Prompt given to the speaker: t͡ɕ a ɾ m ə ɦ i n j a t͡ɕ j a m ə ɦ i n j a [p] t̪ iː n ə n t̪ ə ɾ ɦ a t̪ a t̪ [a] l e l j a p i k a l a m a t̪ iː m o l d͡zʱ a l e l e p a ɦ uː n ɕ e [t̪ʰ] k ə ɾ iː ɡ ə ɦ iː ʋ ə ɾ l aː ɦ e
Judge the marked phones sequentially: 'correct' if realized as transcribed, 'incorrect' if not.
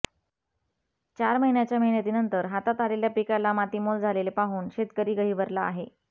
incorrect, correct, incorrect

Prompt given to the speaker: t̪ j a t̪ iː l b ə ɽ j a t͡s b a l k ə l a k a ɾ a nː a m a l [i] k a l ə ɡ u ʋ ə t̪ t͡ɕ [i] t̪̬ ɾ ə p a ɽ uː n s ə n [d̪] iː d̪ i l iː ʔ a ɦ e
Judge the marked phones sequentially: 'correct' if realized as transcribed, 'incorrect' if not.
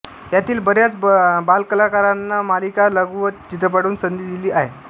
correct, correct, correct

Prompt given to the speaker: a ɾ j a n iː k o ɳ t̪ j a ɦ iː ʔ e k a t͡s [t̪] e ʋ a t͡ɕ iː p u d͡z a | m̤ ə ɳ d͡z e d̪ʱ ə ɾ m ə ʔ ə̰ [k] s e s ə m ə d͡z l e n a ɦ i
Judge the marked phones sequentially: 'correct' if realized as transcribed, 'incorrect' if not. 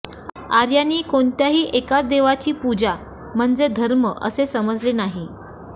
incorrect, incorrect

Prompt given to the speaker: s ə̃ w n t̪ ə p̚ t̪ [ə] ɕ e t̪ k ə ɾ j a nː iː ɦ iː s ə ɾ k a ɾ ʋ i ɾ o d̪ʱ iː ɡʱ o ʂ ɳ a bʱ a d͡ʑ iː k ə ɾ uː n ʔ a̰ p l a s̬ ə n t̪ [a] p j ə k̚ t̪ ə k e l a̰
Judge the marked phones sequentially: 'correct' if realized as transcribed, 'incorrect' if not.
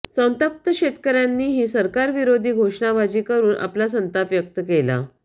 correct, correct

